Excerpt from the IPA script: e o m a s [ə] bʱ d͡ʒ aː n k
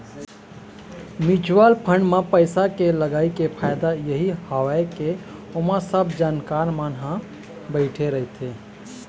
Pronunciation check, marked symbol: correct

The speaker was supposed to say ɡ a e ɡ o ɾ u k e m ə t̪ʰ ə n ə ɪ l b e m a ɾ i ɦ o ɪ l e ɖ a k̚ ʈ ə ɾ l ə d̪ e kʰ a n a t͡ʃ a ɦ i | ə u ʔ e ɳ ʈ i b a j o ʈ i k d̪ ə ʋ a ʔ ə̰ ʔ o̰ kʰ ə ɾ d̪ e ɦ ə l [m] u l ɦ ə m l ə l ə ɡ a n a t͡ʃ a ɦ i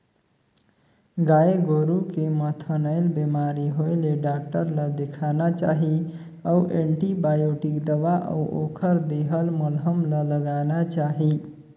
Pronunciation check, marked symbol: correct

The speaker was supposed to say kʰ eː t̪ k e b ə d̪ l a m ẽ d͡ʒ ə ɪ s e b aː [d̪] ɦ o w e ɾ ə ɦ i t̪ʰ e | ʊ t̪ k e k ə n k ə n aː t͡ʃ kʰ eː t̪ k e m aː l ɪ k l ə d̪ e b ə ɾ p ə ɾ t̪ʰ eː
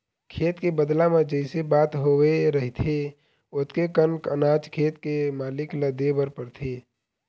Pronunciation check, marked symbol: incorrect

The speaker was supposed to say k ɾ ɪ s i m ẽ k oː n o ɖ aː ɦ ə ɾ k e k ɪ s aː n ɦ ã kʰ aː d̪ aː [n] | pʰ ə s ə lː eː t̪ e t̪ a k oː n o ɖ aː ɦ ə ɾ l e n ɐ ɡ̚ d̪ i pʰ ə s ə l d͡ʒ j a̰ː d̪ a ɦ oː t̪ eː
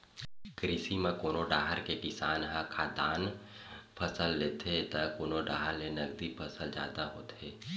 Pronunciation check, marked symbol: correct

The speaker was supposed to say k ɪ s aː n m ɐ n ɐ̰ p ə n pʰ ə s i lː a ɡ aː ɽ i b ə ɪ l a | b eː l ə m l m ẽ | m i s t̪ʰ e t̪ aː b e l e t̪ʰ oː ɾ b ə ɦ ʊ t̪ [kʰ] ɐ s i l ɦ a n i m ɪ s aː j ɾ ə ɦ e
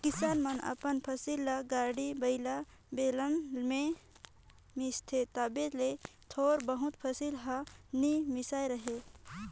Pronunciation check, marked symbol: incorrect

